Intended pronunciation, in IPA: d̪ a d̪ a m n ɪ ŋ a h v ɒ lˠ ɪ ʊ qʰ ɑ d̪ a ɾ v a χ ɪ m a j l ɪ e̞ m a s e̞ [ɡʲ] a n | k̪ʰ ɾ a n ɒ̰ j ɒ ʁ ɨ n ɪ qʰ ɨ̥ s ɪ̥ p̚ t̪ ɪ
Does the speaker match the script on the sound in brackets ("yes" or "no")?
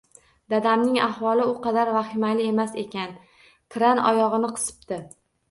no